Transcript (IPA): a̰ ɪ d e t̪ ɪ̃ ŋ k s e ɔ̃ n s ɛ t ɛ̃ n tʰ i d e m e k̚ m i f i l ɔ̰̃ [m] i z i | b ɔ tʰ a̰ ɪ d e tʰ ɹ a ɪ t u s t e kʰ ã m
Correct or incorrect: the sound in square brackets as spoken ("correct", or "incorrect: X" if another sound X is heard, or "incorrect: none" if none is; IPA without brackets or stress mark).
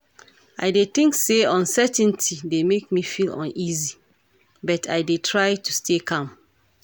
incorrect: n